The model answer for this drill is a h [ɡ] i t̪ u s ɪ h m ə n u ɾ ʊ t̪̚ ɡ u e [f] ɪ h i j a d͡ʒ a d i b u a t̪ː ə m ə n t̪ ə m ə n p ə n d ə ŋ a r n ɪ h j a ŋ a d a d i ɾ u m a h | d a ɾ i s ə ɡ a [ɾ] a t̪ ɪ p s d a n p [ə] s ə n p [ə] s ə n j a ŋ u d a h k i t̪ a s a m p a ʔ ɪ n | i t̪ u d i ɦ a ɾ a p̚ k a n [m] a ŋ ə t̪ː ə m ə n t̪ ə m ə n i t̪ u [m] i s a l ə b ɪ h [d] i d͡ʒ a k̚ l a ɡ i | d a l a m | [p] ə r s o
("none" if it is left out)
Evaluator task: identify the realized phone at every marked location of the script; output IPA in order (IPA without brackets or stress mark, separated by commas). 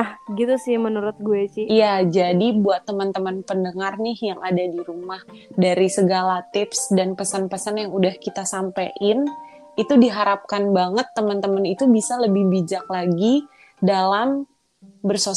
ɡ, s, l, ə, ə, b, b, b, b